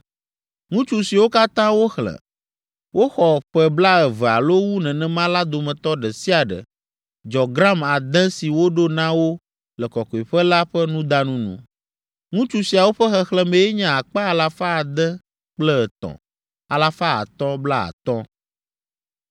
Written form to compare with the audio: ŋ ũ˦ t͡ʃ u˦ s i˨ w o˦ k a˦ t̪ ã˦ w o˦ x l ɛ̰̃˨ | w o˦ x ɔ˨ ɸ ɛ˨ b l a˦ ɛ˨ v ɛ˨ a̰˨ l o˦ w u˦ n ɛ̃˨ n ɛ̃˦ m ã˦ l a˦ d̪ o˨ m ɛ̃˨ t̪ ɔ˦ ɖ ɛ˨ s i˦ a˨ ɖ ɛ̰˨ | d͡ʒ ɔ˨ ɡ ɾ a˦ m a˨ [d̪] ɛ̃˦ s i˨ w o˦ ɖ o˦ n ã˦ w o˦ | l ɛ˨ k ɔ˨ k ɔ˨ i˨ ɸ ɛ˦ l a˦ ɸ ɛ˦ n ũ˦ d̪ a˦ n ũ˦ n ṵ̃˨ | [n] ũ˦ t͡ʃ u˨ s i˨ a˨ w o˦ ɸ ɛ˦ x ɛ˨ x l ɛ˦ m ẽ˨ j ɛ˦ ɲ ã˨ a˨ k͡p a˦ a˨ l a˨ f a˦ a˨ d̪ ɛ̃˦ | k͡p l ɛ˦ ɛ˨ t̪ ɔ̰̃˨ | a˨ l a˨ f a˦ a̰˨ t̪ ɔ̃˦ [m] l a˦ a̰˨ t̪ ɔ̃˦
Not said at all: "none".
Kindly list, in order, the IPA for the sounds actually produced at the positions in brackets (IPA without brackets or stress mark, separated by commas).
d̪, ŋ, b